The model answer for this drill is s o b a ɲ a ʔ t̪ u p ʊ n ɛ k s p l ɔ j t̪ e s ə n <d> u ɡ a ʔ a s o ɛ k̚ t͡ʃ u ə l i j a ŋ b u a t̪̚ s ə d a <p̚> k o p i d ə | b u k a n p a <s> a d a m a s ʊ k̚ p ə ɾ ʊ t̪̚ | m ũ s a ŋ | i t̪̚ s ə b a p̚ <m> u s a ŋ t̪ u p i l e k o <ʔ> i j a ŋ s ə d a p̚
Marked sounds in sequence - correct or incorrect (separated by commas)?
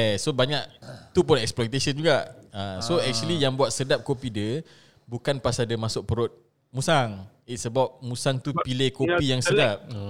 incorrect, correct, correct, correct, incorrect